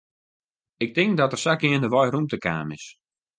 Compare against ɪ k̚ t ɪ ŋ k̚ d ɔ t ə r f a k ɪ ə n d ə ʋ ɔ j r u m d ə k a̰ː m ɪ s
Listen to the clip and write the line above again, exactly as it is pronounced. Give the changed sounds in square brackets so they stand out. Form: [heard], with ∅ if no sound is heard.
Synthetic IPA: ɪ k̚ t ɪ ŋ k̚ d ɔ t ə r [s] a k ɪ ə n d ə ʋ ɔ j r u m [t] ə k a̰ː m ɪ s